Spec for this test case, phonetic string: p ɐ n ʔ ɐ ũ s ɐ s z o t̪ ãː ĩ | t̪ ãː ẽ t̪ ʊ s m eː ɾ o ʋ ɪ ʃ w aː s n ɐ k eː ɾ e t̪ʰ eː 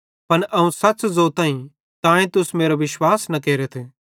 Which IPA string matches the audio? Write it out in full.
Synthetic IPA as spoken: p ɐ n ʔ ɐ ũ s ɐ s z o t̪ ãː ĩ | t̪ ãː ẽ t̪ ʊ s m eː ɾ o ʋ ɪ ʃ w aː s n ɐ k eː ɾ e t̪ʰ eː